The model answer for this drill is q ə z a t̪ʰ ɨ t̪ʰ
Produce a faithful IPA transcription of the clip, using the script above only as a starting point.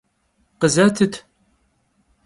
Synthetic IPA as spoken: q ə z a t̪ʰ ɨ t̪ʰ